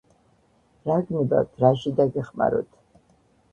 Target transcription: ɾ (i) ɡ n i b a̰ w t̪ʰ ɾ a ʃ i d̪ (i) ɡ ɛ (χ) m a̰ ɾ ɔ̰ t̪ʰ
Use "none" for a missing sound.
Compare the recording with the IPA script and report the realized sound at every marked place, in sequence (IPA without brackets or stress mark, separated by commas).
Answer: a, a, χ